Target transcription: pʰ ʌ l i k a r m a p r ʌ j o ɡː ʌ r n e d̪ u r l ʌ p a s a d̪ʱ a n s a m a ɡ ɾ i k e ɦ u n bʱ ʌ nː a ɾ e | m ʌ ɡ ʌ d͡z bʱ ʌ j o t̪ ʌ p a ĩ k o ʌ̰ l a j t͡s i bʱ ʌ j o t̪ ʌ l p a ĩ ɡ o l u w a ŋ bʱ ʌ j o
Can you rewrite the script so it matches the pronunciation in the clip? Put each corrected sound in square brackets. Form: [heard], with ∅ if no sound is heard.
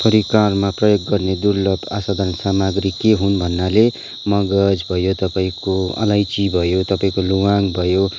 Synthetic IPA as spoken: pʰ ʌ [ɾ] i k a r m a p r ʌ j o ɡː ʌ r n e d̪ u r l ʌ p a s a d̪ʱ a n s a m a ɡ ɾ i k e ɦ u n bʱ ʌ nː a [l] e | m ʌ ɡ ʌ d͡z bʱ ʌ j o t̪ ʌ p a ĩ k o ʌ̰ l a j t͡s i bʱ ʌ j o t̪ ʌ [∅] p a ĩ [k] o l u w a ŋ bʱ ʌ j o